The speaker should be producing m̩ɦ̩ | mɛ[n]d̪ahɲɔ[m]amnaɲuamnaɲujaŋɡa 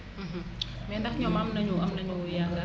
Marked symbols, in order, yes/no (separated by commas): yes, yes